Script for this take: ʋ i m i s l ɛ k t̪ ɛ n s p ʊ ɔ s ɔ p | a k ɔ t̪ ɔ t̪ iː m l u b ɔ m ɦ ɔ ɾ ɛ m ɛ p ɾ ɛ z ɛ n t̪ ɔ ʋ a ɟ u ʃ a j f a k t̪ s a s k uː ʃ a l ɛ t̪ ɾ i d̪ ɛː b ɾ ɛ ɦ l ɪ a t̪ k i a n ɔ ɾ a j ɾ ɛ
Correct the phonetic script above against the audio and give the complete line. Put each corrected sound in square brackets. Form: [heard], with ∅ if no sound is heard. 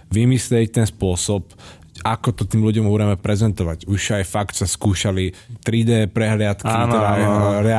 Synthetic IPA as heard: ʋ i m i s l ɛ [c] t̪ ɛ n s p ʊ ɔ s ɔ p | a k ɔ t̪ ɔ t̪ iː m l u [ɟ] ɔ m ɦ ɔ ɾ ɛ m ɛ p ɾ ɛ z ɛ n t̪ ɔ ʋ a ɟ u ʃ a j f a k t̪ s a s k uː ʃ a l [i] t̪ ɾ i d̪ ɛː [p] ɾ ɛ ɦ l ɪ a t̪ k i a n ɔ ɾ a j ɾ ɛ